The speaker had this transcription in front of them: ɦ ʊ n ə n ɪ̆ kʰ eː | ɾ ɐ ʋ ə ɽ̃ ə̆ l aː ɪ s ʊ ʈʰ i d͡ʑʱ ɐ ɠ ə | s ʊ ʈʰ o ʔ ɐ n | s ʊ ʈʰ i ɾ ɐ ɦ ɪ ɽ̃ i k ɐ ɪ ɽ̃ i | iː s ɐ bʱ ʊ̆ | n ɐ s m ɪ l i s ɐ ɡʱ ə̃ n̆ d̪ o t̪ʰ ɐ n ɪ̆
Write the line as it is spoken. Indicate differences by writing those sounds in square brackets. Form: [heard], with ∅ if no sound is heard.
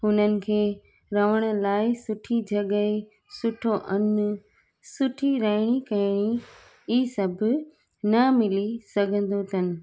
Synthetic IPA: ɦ ʊ n ə n ɪ̆ kʰ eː | ɾ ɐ ʋ ə ɽ̃ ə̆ l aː ɪ s ʊ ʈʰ i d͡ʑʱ ɐ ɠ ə | s ʊ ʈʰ o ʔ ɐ n | s ʊ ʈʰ i ɾ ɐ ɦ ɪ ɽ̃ i k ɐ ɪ ɽ̃ i | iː s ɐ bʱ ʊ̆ | n ɐ [∅] m ɪ l i s ɐ ɡʱ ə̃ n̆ d̪ o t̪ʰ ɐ n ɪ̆